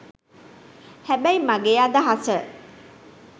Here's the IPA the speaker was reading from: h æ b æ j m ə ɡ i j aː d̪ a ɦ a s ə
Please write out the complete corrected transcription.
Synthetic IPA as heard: h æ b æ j m a ɡ e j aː d̪ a ɦ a s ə